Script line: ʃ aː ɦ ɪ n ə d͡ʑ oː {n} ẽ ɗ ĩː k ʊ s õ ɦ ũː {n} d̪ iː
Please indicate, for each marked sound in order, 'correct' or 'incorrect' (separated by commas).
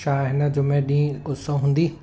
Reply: incorrect, correct